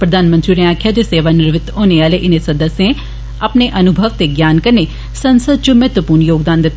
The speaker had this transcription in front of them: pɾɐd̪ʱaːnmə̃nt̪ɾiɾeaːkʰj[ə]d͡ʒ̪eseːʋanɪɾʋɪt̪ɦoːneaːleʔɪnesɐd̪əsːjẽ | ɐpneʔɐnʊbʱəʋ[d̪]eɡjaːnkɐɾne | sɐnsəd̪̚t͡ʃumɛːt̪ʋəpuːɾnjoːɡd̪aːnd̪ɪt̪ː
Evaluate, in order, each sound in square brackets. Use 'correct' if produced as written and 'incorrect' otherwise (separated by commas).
incorrect, incorrect